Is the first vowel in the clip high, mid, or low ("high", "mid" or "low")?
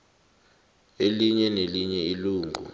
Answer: mid